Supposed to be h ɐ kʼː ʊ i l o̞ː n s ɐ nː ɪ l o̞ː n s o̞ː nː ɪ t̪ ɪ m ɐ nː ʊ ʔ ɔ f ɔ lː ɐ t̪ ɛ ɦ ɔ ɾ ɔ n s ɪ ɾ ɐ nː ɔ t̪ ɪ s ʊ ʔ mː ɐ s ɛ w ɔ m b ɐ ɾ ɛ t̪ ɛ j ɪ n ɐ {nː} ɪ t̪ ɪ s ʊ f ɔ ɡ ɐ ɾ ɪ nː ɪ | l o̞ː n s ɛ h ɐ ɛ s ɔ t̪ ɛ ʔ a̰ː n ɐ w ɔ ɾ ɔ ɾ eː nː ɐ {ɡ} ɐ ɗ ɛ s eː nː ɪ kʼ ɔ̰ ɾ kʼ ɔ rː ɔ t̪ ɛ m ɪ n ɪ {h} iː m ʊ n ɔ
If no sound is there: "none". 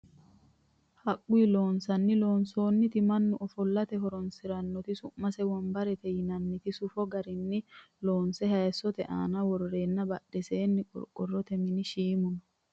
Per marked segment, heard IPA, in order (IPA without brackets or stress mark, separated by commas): nː, b, ʃ